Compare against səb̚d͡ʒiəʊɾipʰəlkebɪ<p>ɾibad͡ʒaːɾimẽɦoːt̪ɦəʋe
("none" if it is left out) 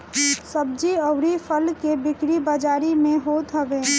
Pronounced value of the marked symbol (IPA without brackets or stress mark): k